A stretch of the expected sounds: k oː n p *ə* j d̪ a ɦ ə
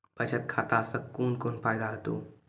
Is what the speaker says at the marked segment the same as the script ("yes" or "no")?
no